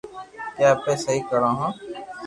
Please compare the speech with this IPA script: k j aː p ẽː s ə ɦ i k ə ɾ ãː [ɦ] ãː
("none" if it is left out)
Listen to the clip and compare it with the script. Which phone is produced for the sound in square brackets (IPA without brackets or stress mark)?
ɦ